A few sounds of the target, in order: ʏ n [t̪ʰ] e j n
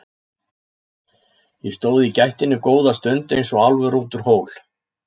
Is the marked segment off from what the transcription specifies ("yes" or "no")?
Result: yes